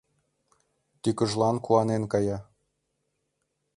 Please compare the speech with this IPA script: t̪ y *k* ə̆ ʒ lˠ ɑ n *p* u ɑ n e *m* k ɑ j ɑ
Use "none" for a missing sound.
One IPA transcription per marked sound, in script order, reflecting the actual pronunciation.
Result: k, k, n

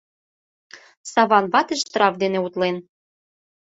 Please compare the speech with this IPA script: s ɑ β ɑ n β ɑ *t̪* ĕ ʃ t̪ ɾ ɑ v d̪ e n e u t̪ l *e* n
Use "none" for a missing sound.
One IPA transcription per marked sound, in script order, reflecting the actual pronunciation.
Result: t̪, e

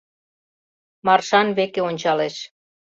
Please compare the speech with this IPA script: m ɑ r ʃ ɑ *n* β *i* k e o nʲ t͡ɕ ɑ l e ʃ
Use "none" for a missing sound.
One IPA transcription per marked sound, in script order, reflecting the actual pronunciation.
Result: n, e

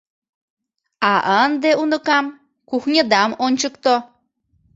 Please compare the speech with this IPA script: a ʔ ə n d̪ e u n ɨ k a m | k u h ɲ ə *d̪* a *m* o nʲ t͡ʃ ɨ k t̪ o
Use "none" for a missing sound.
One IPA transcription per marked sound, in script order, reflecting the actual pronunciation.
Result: d̪, m

